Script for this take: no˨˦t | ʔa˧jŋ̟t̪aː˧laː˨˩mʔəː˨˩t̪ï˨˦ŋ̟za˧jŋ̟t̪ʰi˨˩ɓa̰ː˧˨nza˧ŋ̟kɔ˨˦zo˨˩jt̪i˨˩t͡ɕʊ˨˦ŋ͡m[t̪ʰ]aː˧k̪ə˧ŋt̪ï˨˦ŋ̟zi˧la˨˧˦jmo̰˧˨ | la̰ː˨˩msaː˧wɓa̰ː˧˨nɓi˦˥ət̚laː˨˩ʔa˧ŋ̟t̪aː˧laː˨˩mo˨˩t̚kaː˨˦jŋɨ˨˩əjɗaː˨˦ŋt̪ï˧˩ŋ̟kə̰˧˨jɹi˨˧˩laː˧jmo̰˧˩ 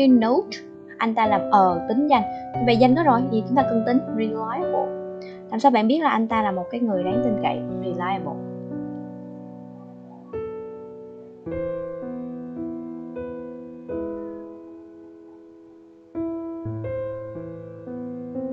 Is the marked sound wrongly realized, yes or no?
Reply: yes